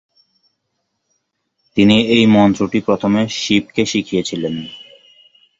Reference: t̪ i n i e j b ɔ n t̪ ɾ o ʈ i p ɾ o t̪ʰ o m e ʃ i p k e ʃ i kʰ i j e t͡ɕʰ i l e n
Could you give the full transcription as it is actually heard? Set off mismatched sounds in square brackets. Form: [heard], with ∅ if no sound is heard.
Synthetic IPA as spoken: t̪ i n i e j [m] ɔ n t̪ ɾ o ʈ i p ɾ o t̪ʰ o m e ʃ i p k e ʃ i kʰ i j e t͡ɕʰ i l e n